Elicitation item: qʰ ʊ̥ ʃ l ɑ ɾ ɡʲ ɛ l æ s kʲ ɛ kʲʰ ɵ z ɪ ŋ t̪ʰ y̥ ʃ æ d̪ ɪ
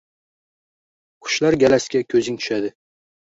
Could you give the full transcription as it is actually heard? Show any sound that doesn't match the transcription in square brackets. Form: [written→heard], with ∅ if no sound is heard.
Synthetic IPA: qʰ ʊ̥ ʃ l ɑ ɾ ɡʲ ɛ l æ s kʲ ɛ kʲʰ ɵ z ɪ ŋ t̪ʰ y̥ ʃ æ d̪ ɪ